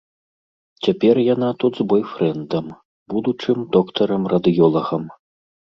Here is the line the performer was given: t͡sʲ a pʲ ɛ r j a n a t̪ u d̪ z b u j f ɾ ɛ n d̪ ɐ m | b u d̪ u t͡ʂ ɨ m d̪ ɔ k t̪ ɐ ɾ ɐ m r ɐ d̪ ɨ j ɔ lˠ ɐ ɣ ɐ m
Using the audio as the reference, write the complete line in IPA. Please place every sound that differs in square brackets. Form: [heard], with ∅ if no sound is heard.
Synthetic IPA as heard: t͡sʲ a pʲ ɛ r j a n a t̪ u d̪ z b [ɔ] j f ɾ ɛ n d̪ ɐ m | b u d̪ u t͡ʂ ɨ m d̪ ɔ k t̪ ɐ ɾ ɐ m r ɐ d̪ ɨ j ɔ lˠ ɐ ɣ ɐ m